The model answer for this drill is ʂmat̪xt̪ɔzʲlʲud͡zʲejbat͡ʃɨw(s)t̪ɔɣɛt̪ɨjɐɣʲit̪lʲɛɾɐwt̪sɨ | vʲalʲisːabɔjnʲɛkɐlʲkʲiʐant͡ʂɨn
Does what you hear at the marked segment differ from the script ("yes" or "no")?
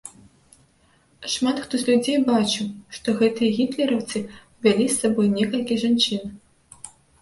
yes